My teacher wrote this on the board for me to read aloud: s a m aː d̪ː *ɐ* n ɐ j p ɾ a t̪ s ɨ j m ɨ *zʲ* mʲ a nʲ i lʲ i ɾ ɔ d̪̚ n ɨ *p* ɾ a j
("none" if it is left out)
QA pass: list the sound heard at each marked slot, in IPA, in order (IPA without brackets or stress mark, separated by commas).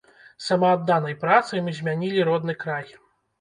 a, zʲ, k